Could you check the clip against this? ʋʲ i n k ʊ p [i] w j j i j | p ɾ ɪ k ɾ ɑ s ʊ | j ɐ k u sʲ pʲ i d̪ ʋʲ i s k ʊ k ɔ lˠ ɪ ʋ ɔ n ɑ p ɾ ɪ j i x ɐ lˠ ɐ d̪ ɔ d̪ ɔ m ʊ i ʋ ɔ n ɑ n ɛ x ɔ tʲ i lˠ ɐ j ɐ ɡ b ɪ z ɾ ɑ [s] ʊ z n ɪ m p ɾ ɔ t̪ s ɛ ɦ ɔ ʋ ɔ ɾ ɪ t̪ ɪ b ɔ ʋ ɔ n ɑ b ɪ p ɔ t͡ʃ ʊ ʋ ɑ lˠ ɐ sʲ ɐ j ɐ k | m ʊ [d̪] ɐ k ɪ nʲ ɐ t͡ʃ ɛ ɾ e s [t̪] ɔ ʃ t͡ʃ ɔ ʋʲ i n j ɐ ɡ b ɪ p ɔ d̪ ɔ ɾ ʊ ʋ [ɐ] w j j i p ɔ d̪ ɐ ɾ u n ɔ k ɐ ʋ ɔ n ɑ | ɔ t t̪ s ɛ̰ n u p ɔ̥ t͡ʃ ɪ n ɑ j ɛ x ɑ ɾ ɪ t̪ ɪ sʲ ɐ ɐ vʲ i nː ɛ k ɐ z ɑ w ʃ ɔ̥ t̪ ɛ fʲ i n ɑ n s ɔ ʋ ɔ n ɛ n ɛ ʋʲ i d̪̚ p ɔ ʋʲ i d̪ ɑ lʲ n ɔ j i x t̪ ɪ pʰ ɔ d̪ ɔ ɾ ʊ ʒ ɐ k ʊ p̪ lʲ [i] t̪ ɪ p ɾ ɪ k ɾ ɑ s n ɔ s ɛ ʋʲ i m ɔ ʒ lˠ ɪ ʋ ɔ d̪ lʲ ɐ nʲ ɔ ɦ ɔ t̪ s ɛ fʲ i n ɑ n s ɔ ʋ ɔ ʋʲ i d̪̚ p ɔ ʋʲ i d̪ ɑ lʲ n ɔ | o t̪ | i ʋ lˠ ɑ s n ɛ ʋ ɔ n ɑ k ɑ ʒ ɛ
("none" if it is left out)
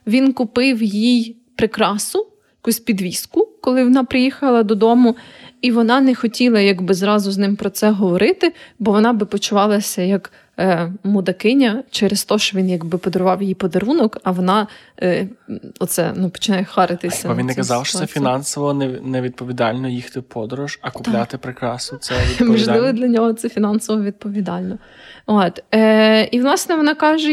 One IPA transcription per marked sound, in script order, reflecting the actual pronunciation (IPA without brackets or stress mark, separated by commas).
ɪ, z, d̪, t̪, ɑ, a